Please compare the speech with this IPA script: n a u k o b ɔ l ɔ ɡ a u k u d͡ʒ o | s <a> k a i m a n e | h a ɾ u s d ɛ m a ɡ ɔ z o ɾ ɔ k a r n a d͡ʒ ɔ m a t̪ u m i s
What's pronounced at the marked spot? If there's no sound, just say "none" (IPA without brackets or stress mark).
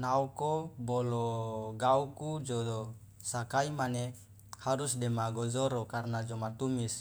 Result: a